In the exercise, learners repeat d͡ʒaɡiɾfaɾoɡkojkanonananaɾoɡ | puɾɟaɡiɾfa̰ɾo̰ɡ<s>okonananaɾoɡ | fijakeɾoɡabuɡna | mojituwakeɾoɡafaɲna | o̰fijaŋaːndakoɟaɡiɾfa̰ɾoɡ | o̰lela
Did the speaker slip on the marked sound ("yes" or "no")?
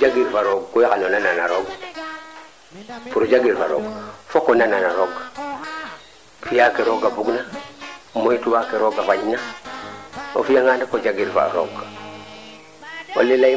yes